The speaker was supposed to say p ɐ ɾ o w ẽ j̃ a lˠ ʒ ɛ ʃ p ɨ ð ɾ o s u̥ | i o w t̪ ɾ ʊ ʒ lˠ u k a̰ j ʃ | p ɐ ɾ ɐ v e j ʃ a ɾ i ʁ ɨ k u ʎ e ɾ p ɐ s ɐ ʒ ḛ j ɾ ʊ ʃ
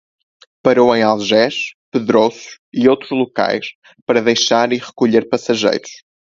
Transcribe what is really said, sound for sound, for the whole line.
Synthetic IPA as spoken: p ɐ ɾ o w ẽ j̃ a lˠ ʒ ɛ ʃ p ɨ ð ɾ o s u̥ | i o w t̪ ɾ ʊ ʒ lˠ u k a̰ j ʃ | p ɐ ɾ ɐ ð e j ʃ a ɾ i ʁ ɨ k u ʎ e ɾ p ɐ s ɐ ʒ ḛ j ɾ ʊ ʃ

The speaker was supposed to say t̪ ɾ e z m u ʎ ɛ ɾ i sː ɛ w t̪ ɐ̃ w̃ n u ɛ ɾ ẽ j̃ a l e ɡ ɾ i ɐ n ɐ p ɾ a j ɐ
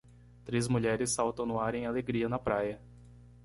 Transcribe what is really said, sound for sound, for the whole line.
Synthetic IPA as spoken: t̪ ɾ e z m u ʎ ɛ ɾ ɪ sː a w t̪ ɐ̃ w̃ n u a ɾ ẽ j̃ a l e ɡ ɾ i ɐ n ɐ p ɾ a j ɐ

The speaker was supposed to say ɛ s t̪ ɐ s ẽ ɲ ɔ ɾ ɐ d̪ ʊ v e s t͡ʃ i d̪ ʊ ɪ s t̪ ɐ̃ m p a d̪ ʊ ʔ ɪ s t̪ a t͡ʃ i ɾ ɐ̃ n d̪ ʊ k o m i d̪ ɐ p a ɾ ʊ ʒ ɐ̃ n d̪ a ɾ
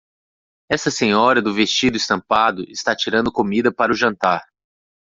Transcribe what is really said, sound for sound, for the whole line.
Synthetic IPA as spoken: ɛ s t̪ ɐ s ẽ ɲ ɔ ɾ ɐ d̪ ʊ v e s t͡ʃ i d̪ ʊ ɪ s t̪ ɐ̃ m p a d̪ ʊ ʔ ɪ s t̪ a t͡ʃ i ɾ ɐ̃ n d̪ ʊ k o m i d̪ ɐ p a ɾ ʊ ʒ ɐ̃ n t̪ a ɾ

